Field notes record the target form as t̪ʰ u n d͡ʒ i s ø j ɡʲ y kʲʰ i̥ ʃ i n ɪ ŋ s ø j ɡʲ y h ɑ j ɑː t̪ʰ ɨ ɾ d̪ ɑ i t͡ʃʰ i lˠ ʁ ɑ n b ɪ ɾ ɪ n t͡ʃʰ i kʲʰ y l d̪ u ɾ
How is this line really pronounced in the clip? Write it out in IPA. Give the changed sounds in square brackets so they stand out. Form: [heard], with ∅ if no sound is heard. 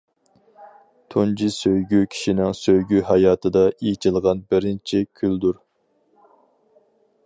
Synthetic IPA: t̪ʰ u n d͡ʒ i s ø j ɡʲ y kʲʰ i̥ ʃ i n ɪ ŋ s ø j ɡʲ y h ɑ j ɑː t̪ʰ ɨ [∅] d̪ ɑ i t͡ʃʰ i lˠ ʁ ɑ n b ɪ ɾ ɪ n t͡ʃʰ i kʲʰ y l d̪ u ɾ